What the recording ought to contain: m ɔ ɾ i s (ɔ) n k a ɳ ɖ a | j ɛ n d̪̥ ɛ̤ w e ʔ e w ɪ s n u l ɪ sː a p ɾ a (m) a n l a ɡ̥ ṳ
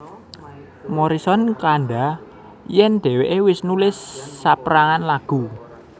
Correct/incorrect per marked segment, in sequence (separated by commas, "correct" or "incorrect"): correct, incorrect